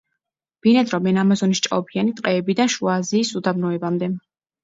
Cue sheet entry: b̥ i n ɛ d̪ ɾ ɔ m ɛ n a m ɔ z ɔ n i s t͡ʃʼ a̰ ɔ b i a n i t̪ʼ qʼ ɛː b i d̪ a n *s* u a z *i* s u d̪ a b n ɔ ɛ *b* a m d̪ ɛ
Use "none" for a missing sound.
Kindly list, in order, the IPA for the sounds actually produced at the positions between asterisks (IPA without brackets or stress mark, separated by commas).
ʃ, iː, b